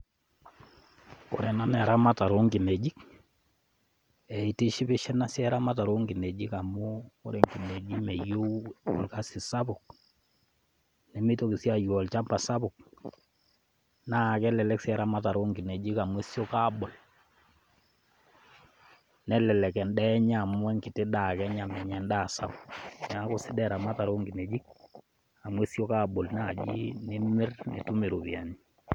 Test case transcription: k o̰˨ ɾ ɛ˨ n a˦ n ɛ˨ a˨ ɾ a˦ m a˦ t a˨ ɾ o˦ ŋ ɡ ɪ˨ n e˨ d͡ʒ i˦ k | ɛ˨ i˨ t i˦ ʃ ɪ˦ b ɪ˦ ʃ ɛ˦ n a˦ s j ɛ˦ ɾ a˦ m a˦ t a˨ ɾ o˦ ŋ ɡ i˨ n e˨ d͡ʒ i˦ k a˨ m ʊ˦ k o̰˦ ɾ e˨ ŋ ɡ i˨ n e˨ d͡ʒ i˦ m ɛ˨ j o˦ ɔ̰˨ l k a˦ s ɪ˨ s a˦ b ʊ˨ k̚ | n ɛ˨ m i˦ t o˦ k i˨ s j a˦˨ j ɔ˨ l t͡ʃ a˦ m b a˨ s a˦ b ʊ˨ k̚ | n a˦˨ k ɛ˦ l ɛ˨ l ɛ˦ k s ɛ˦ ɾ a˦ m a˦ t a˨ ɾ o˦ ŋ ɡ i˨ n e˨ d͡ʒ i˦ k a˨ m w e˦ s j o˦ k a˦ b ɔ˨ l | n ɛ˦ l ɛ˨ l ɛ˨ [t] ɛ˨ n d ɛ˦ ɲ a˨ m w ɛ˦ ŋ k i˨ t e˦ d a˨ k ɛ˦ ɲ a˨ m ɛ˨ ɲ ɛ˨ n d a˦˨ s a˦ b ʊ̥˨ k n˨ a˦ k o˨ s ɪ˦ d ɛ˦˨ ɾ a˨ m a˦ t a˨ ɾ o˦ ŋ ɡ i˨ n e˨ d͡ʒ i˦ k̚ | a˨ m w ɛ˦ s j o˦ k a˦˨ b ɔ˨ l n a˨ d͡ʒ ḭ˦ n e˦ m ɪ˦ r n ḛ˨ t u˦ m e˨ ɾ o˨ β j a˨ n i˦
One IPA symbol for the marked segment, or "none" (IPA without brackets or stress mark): k